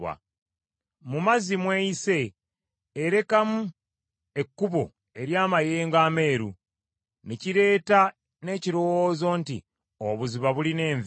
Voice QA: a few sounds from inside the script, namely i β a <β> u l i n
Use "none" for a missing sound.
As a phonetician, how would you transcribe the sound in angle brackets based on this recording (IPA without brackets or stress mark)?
β